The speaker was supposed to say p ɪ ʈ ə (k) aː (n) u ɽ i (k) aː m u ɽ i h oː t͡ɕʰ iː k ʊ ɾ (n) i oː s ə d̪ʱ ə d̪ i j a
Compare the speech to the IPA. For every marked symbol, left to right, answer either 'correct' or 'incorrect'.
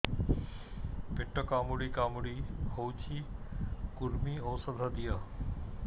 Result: correct, incorrect, correct, incorrect

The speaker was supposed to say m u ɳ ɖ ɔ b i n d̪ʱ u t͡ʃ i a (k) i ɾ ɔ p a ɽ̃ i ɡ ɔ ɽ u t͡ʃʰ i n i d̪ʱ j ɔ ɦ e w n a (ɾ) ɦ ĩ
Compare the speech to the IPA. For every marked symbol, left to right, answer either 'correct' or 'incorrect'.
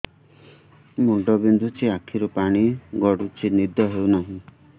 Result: incorrect, incorrect

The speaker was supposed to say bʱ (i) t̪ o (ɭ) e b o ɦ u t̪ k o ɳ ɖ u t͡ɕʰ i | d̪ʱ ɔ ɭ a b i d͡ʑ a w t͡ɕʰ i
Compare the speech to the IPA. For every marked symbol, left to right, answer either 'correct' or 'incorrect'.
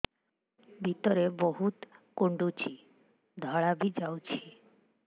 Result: correct, incorrect

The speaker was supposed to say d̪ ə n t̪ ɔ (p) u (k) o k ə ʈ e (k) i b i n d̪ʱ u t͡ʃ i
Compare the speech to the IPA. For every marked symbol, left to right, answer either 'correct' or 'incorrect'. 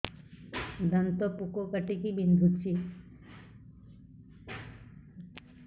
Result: correct, correct, correct

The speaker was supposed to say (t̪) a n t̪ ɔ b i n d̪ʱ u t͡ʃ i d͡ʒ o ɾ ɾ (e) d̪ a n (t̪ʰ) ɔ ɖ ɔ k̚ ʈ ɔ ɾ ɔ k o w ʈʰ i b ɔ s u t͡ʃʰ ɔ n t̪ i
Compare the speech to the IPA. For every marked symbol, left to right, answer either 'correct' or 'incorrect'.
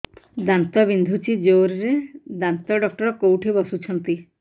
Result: incorrect, correct, incorrect

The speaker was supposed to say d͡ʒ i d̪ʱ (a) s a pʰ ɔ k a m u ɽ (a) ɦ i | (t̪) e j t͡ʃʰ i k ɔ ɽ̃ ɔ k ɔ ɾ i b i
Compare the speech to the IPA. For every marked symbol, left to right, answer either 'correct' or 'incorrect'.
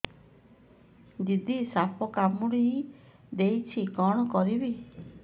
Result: incorrect, incorrect, incorrect

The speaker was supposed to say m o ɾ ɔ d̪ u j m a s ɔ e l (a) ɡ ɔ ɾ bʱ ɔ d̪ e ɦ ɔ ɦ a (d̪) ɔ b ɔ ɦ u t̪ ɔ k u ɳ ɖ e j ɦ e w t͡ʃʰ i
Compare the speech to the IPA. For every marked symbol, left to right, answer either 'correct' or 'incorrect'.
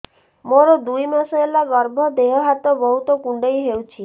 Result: correct, incorrect

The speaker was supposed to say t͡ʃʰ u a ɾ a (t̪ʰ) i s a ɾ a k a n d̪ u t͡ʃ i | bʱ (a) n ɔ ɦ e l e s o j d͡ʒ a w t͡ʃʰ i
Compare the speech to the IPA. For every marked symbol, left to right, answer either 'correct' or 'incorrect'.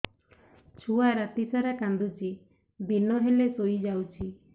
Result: incorrect, incorrect

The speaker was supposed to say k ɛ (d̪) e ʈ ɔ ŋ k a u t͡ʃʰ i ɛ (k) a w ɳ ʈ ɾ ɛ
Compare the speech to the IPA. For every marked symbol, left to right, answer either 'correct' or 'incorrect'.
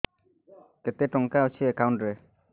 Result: incorrect, correct

